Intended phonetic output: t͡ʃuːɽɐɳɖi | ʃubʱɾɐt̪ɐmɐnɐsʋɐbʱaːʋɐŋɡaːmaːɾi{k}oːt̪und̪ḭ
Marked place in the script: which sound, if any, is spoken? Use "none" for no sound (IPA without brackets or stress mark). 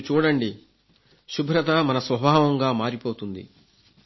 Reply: p